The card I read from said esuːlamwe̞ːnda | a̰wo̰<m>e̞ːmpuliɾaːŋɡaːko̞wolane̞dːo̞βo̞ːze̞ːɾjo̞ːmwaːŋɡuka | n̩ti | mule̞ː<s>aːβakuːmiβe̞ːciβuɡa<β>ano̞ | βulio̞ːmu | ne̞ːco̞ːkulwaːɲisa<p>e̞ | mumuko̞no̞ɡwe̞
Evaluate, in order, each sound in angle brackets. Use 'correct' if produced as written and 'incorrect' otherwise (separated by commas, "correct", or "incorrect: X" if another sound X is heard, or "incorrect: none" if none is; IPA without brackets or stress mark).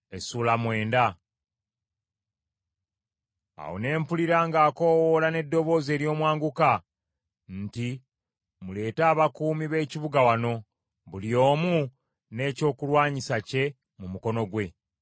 incorrect: n, incorrect: t, incorrect: w, incorrect: c